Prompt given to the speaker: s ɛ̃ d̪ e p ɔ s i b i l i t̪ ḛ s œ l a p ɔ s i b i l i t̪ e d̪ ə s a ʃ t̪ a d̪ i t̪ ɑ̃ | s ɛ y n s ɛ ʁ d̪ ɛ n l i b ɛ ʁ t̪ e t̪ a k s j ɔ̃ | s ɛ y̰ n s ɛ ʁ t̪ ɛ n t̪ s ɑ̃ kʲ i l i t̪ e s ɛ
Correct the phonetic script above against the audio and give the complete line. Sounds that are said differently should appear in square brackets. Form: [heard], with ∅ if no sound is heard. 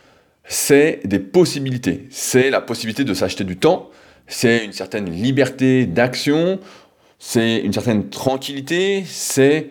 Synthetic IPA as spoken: s [ɛ] d̪ e p ɔ s i b i l i t̪ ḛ s [ɛ] l a p ɔ s i b i l i t̪ e d̪ ə s a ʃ t̪ [e] d̪ [y] t̪ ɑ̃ | s ɛ y n s ɛ ʁ [t̪] ɛ n l i b ɛ ʁ t̪ e [d̪] a k s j ɔ̃ | s ɛ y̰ n s ɛ ʁ t̪ ɛ n t̪ [χ] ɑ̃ kʲ i l i t̪ e s ɛ